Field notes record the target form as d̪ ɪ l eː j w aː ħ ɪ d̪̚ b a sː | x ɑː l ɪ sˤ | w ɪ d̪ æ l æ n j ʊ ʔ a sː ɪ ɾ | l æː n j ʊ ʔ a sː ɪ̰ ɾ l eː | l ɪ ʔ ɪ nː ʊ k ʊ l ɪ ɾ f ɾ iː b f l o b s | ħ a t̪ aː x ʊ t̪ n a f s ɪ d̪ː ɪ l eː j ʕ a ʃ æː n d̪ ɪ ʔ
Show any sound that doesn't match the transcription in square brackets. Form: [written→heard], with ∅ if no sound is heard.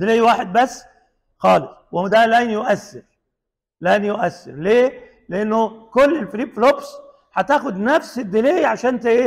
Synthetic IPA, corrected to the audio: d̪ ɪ l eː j w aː ħ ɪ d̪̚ b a sː | x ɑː l ɪ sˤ | w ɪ d̪ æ l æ n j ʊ ʔ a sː ɪ ɾ | l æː n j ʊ ʔ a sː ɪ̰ ɾ l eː | l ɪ ʔ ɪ nː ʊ k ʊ [l→lː] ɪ [ɾ→l] f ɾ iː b f l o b s | ħ a t̪ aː x ʊ [t̪→d̪] n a f s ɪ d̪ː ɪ l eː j ʕ a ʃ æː n [d̪→t̪] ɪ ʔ